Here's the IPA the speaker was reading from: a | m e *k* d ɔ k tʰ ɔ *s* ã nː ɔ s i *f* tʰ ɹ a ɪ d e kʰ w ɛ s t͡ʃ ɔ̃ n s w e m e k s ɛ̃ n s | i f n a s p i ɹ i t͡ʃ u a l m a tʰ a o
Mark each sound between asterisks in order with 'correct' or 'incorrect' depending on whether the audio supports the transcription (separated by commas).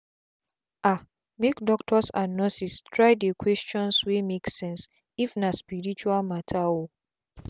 correct, correct, incorrect